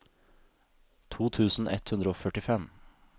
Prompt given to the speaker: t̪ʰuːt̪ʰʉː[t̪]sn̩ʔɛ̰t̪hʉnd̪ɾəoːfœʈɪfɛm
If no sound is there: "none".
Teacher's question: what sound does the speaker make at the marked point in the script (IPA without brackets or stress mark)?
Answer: none